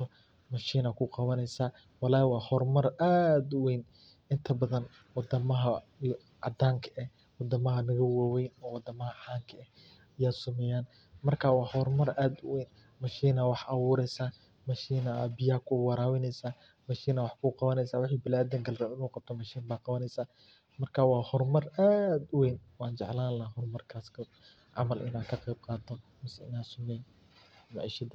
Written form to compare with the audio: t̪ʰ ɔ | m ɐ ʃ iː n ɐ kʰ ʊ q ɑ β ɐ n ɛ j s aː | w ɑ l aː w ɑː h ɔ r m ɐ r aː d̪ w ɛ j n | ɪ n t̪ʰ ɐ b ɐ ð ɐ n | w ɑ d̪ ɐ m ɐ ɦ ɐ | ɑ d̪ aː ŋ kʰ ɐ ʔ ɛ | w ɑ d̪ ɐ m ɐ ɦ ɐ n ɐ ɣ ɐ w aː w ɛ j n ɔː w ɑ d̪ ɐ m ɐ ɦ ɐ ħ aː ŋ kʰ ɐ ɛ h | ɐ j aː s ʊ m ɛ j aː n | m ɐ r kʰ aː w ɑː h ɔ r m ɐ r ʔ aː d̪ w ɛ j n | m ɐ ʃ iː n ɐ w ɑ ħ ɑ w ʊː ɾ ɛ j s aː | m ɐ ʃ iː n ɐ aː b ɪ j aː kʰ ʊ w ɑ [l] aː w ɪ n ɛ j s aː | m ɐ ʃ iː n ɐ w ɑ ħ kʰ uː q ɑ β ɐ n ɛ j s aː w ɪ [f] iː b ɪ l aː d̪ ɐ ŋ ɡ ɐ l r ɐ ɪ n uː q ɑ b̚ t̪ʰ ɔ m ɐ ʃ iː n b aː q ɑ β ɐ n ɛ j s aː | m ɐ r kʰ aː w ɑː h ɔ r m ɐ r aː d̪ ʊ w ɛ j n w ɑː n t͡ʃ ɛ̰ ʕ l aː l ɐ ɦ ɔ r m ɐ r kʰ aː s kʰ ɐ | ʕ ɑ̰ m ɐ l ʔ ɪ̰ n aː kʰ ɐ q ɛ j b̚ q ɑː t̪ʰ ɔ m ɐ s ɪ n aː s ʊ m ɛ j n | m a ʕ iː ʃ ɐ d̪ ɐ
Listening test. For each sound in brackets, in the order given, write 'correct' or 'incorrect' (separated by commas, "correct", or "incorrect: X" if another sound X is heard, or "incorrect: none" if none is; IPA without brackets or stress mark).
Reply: incorrect: ɾ, incorrect: ħ